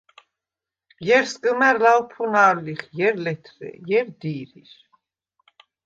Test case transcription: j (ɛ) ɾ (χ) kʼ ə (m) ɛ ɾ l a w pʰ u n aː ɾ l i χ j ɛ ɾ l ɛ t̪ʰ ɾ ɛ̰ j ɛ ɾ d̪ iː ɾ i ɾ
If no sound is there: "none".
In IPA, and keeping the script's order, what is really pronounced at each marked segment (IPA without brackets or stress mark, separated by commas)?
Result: ɛ, s, m